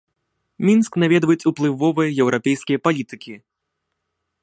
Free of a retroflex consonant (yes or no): yes